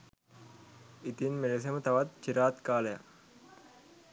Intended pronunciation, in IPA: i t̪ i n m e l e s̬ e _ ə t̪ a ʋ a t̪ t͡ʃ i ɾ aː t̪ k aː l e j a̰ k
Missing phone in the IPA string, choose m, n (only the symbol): m